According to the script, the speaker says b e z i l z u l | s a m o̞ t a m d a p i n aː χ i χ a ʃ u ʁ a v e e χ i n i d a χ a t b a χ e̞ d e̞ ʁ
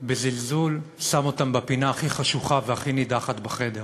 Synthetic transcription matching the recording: b e z i l z u l | s a m o̞ t a m b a p i n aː χ i χ a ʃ u χ a v e a χ i n i d a χ a t b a χ e̞ d e̞ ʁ